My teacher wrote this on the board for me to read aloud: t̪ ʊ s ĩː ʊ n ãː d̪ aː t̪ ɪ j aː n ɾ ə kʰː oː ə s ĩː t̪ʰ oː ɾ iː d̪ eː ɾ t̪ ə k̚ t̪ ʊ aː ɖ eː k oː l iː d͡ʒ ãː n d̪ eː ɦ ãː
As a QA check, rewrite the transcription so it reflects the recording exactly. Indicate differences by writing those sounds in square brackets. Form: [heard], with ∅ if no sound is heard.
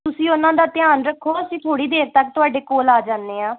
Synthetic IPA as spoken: t̪ ʊ s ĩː ʊ n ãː d̪ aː t̪ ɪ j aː n ɾ ə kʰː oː ə s ĩː t̪ʰ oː [ɽ] iː d̪ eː ɾ t̪ ə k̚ t̪ ʊ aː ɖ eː k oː l [aː] d͡ʒ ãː n d̪ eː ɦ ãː

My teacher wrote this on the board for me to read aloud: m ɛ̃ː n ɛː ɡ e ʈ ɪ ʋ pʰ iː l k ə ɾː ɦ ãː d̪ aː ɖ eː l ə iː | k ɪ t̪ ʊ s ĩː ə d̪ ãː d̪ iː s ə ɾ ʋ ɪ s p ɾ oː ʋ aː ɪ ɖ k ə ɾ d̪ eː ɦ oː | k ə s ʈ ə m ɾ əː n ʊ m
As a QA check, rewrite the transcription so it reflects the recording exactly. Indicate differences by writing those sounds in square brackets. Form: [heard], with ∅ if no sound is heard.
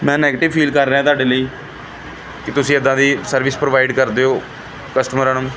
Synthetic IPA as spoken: m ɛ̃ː n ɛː ɡ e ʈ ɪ ʋ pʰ iː l k ə ɾː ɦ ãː [t̪] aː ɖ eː l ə iː | k ɪ t̪ ʊ s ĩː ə d̪ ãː d̪ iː s ə ɾ ʋ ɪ s p ɾ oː ʋ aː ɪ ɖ k ə ɾ d̪ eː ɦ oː | k ə s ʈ ə m ɾ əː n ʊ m

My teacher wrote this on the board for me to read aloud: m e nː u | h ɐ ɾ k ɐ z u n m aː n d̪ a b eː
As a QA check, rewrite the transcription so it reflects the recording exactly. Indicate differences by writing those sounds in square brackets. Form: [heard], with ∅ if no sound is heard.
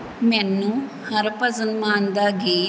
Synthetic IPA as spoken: m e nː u | h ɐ ɾ [p] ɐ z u n m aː n d̪ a [ɡ] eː

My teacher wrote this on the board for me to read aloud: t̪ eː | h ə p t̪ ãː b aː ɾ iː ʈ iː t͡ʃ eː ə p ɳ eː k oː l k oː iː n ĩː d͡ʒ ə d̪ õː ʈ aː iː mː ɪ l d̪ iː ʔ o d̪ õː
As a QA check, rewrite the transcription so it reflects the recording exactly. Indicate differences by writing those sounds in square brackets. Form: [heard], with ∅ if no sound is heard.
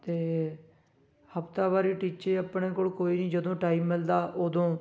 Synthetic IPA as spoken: t̪ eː | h ə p t̪ [aː] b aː ɾ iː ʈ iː t͡ʃ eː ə p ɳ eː k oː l k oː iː n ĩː d͡ʒ ə d̪ õː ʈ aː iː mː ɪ l d̪ [aː] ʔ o d̪ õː

